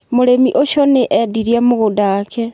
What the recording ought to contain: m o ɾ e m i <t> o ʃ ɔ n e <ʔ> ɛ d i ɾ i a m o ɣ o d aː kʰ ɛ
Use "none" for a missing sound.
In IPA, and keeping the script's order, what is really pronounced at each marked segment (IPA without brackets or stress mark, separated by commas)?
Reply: ʔ, ʔ